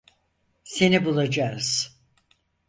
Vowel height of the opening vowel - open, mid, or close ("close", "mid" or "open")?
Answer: mid